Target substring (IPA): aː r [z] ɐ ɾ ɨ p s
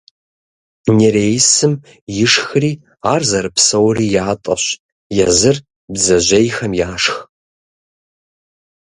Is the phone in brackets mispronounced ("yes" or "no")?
no